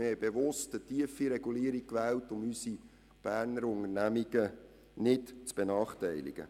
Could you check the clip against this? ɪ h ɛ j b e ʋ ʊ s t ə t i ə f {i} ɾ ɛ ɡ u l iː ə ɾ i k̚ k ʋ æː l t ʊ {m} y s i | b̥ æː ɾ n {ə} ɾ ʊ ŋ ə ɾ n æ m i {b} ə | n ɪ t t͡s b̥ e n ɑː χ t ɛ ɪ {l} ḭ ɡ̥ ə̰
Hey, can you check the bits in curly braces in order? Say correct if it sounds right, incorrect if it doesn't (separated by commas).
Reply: correct, correct, correct, incorrect, correct